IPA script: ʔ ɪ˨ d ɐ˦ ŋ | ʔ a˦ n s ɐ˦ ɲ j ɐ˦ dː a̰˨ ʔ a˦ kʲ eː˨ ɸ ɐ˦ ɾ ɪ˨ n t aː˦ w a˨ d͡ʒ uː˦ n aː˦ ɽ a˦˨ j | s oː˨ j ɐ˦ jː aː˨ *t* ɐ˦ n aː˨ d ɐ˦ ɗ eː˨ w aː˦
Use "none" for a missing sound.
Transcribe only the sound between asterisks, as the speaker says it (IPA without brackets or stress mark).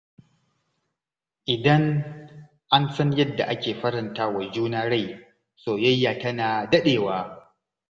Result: t